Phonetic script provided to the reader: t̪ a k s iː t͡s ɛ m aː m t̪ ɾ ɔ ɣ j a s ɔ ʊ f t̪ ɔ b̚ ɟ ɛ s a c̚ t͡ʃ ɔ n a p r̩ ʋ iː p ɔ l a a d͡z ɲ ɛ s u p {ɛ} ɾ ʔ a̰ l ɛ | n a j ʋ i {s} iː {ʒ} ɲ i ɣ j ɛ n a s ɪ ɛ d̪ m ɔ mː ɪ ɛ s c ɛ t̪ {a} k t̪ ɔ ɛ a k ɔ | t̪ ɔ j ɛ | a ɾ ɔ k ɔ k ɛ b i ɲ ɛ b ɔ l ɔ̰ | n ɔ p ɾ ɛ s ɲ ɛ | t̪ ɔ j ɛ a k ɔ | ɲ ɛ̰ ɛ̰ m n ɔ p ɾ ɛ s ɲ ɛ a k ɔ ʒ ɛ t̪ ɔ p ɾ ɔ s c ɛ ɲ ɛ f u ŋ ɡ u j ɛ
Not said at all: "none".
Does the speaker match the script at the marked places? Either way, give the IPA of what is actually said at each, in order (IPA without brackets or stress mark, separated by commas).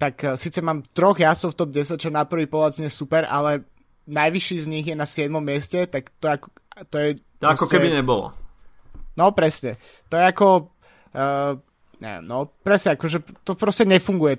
ɛ, ʃ, z, a